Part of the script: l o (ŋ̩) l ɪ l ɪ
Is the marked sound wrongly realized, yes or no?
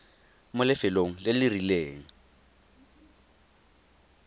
no